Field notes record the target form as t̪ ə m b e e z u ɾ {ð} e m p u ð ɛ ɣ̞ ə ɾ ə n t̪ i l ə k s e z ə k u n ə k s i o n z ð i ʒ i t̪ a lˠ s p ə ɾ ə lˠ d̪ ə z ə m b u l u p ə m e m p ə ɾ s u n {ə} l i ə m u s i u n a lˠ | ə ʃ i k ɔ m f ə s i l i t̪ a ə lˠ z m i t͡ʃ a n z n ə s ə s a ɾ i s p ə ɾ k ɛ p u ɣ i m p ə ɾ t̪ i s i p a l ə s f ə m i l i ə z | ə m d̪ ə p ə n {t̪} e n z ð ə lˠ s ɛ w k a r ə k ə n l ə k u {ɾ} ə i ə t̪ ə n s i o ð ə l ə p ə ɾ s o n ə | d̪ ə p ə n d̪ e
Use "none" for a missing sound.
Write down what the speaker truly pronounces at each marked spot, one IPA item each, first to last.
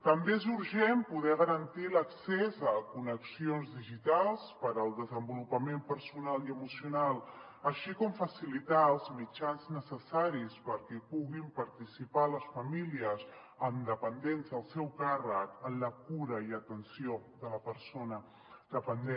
ʒ, a, d̪, ɾ

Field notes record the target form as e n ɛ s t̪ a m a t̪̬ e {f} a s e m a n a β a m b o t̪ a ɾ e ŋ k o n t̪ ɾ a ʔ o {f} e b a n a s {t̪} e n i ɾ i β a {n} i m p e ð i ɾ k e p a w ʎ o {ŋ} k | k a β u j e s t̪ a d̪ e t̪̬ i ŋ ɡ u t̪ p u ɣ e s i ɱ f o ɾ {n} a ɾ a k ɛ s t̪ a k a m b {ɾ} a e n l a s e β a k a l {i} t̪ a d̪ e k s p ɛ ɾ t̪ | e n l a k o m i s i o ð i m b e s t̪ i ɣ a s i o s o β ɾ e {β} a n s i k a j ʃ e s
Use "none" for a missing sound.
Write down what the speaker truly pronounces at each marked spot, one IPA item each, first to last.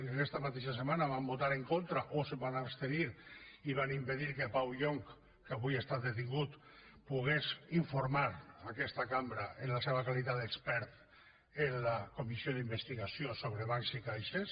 ʃ, s, t̪, n, ŋ, m, ɾ, i, β

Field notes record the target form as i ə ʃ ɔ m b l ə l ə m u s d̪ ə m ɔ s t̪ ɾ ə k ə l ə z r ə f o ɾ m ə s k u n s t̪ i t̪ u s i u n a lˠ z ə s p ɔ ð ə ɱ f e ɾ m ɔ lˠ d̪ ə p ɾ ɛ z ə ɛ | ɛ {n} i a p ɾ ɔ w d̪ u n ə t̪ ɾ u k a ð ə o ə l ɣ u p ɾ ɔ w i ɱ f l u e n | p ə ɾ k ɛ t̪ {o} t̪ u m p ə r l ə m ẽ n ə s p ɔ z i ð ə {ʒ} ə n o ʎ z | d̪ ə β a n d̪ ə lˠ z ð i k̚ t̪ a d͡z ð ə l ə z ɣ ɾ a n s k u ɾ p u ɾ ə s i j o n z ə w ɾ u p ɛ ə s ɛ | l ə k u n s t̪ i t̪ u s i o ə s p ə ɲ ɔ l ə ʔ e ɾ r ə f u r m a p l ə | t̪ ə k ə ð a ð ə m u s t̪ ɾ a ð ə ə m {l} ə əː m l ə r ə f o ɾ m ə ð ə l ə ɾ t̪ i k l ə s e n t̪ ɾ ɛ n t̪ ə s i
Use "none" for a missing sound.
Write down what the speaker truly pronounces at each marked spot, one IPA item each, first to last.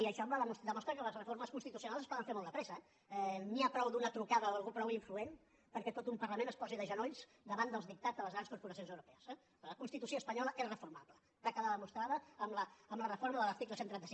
n, o, ʒ, l

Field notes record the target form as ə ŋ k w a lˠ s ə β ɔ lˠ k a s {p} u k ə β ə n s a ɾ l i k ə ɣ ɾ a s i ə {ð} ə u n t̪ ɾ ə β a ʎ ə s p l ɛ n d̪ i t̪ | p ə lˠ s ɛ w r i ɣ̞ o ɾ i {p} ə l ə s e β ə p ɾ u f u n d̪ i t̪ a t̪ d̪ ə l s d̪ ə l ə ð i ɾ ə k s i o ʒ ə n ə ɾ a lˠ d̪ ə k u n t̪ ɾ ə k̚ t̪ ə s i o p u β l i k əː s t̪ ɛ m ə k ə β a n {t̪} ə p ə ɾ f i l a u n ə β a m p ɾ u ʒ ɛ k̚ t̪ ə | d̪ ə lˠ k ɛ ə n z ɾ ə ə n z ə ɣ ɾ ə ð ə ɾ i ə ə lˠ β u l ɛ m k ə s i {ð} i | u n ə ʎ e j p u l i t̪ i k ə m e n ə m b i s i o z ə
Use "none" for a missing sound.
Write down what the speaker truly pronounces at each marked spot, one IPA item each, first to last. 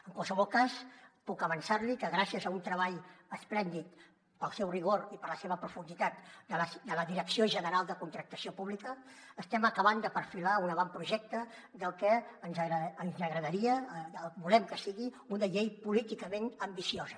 p, z, p, d̪, ɣ

